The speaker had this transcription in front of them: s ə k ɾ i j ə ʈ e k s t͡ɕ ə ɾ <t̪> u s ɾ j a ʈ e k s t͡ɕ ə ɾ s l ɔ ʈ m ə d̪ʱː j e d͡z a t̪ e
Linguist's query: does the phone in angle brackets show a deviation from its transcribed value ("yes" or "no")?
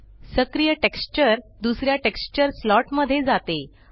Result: yes